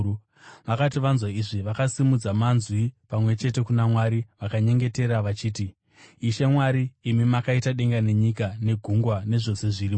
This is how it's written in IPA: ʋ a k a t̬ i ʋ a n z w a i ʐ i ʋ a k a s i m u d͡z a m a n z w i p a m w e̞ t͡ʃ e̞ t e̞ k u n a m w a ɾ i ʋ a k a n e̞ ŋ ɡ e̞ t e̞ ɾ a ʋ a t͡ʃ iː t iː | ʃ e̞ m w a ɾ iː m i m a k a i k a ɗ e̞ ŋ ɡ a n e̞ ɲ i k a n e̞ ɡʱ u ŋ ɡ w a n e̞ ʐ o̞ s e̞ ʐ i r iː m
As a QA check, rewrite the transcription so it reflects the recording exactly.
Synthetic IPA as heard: ʋ a k a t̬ i ʋ a n z w a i ʐ i ʋ a k a s i m u d͡z a m a n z w i p a m w e̞ t͡ʃ e̞ t e̞ k u n a m w a ɾ i ʋ a k a ɲ e̞ ŋ ɡ e̞ t e̞ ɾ a ʋ a t͡ʃ iː t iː | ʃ e̞ m w a ɾ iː m i m a k a i t a ɗ e̞ ŋ ɡ a n e̞ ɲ i k a n e̞ ɡʱ u ŋ ɡ w a n e̞ ʐ o̞ s e̞ ʐ i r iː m